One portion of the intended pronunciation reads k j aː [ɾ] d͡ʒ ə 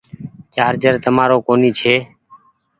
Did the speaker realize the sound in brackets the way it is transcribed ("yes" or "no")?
yes